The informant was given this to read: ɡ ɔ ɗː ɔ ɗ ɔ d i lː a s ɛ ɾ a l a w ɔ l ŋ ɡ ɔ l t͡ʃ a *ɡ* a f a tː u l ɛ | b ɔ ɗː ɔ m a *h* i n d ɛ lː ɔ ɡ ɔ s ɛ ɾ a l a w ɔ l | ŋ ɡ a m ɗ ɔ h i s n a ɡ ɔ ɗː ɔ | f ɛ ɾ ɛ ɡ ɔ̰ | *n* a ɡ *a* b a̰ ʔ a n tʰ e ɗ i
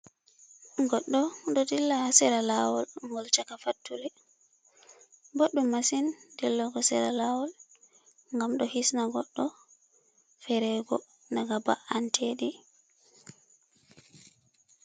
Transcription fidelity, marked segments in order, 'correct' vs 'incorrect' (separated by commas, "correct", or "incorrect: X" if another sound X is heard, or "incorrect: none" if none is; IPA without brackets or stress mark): incorrect: k, incorrect: s, correct, correct